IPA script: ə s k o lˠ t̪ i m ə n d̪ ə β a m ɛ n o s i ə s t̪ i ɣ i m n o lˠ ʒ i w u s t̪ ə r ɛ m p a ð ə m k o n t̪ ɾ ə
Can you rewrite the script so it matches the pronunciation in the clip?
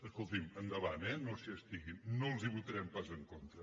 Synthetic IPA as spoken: ə s k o lˠ t̪ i m ə n d̪ ə β a n ɛ n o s i ə s t̪ i ɣ i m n o lˠ z i β u t̪ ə ɾ ɛ m p a z ə ŋ k o n t̪ ɾ ə